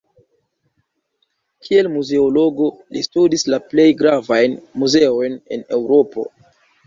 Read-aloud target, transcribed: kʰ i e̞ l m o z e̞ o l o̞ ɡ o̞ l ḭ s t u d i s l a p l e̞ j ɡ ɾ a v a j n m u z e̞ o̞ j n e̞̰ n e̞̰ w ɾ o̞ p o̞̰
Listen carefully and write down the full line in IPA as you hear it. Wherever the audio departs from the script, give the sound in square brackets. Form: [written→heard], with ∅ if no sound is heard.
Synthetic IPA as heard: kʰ i e̞ l m [o→u] z e̞ o l o̞ ɡ o̞ l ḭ s t u d i s l a p l e̞ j ɡ ɾ a v a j n m u z e̞ o̞ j n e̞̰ n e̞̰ w ɾ o̞ p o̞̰